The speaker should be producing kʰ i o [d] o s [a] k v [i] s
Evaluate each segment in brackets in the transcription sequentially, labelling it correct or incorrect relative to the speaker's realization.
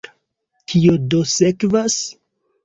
correct, incorrect: e, incorrect: a

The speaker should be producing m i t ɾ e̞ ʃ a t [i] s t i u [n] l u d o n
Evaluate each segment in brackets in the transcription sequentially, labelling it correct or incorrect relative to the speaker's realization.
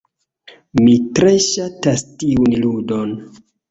incorrect: a, correct

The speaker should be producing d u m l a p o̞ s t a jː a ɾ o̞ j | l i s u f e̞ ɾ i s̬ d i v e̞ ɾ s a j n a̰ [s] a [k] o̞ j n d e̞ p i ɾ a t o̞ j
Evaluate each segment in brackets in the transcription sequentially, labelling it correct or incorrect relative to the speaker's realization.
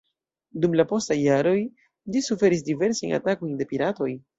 incorrect: t, correct

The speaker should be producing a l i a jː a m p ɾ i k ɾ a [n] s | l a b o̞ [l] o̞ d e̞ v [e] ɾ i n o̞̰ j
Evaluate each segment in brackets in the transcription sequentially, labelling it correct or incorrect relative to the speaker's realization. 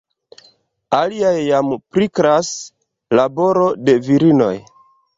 incorrect: none, incorrect: ɾ, incorrect: i

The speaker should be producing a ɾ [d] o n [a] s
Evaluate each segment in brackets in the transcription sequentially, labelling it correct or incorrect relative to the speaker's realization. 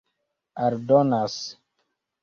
correct, correct

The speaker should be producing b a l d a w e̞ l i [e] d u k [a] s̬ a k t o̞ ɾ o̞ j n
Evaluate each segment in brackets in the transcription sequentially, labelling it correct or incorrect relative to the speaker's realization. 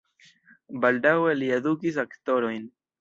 correct, incorrect: i

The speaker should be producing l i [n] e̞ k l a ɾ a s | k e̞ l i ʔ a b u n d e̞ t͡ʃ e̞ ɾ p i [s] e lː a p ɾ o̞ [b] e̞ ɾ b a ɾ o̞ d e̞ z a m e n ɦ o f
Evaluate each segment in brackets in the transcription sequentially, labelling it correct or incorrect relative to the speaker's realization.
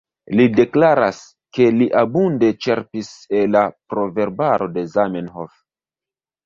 incorrect: d, correct, incorrect: v

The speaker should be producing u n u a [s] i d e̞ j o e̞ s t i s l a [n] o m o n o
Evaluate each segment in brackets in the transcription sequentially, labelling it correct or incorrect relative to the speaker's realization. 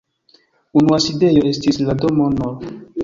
correct, incorrect: d

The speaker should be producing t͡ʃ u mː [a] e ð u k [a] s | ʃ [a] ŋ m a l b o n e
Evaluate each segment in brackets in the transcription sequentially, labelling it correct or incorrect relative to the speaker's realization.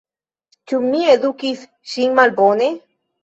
incorrect: i, incorrect: i, incorrect: i

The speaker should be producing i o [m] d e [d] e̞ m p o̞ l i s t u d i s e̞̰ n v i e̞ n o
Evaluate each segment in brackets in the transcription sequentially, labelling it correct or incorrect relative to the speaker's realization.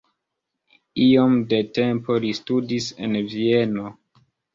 correct, incorrect: t

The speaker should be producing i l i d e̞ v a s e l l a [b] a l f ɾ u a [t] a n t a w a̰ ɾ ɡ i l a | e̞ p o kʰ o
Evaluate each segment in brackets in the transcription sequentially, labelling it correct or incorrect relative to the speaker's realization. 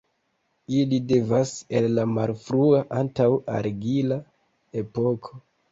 incorrect: m, incorrect: ʔ

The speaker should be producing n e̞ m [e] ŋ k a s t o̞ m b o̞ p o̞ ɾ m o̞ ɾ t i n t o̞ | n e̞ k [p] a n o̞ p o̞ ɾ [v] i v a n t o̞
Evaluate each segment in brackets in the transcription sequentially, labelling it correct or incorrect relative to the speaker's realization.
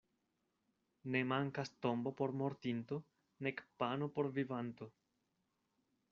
incorrect: a, correct, correct

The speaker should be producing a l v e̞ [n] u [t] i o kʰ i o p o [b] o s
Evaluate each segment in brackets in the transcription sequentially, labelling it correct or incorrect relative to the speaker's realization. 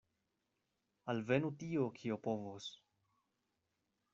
correct, correct, incorrect: v

